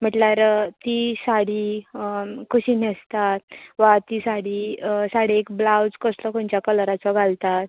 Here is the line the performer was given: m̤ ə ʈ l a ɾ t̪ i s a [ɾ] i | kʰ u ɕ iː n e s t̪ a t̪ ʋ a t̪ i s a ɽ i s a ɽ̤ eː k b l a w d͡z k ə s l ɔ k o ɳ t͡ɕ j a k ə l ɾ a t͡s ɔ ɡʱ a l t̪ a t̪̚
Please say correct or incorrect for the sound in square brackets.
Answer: incorrect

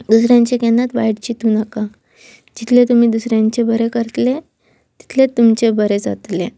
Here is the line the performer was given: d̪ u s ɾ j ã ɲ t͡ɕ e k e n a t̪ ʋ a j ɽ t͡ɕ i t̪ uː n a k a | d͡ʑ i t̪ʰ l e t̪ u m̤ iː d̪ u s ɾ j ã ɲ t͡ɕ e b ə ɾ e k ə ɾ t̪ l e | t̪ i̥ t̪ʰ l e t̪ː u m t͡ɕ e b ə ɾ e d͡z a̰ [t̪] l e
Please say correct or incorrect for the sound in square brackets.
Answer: correct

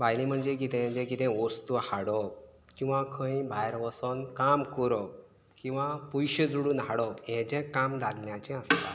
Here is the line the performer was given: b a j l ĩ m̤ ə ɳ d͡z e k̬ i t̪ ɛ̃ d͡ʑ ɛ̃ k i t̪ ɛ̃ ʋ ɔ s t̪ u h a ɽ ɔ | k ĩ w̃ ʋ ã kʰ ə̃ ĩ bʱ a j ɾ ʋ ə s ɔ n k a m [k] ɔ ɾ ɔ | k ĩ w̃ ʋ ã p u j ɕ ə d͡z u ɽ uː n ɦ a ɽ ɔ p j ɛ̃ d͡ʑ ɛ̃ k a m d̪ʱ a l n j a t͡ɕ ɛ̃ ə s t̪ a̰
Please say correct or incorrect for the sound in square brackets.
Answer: correct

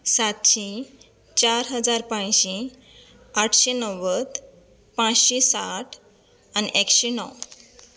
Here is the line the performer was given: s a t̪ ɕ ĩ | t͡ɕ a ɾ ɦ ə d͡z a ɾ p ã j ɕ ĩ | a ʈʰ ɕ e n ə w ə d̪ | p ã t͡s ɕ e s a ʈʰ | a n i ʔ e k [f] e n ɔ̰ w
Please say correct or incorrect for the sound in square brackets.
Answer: incorrect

